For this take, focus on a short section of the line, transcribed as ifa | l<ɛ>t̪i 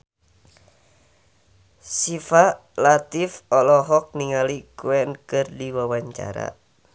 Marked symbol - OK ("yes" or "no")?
no